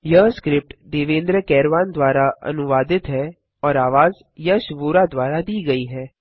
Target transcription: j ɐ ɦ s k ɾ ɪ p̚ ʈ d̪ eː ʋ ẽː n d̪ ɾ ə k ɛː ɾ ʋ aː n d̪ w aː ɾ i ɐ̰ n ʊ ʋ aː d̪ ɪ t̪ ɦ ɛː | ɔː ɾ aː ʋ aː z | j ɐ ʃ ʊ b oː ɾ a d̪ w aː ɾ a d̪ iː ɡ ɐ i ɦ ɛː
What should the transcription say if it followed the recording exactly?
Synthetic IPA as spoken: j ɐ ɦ s k ɾ ɪ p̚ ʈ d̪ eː ʋ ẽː n d̪ ɾ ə k ɛː ɾ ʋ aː n d̪ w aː ɾ a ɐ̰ n ʊ ʋ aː d̪ ɪ t̪ ɦ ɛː | ɔː ɾ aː ʋ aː z | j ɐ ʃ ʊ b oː ɾ a d̪ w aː ɾ a d̪ iː ɡ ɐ i ɦ ɛː